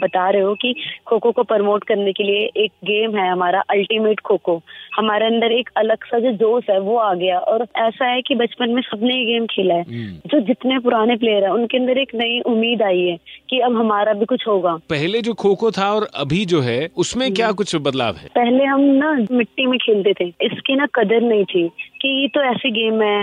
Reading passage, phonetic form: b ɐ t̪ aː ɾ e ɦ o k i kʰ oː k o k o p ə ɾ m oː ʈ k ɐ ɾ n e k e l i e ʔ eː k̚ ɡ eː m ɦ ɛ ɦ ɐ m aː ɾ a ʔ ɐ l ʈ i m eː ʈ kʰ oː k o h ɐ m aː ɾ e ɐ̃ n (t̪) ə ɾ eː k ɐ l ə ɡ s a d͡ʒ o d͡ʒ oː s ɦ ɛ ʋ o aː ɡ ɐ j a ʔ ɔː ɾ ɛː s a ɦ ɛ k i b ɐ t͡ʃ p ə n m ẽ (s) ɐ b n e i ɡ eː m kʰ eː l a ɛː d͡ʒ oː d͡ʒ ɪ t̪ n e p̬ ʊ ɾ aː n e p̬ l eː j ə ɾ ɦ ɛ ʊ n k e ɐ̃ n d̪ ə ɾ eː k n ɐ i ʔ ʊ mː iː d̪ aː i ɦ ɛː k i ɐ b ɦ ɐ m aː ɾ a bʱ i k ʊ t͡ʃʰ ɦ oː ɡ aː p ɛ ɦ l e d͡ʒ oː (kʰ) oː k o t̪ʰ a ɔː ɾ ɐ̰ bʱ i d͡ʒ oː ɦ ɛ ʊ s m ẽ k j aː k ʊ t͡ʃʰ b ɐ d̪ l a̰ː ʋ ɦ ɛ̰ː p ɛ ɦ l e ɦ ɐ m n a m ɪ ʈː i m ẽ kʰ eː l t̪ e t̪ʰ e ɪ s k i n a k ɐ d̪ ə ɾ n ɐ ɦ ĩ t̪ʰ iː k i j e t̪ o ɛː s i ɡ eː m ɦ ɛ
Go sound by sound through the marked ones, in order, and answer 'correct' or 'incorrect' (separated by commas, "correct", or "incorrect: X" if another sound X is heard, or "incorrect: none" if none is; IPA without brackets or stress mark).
incorrect: d̪, correct, correct